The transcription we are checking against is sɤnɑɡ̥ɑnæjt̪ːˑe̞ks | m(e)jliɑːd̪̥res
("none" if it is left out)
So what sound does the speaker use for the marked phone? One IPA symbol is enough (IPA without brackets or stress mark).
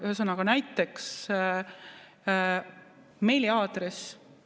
e